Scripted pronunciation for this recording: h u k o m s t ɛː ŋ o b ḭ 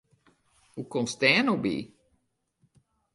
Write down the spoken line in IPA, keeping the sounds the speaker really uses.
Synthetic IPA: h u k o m s t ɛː n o b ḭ